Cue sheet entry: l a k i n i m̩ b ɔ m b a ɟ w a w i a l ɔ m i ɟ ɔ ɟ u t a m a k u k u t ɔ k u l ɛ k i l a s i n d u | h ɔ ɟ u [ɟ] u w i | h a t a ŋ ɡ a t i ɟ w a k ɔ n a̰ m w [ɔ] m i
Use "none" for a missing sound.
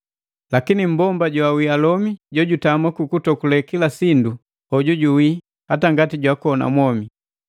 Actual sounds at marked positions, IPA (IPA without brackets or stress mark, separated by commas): ɟ, ɔ